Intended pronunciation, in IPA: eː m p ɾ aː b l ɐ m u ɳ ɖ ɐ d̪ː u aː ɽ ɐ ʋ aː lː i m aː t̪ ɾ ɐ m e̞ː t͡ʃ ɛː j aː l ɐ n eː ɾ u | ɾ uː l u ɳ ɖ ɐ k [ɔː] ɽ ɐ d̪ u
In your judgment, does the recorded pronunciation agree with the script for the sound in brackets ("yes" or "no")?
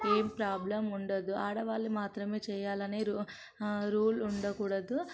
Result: no